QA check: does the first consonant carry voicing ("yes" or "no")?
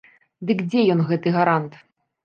yes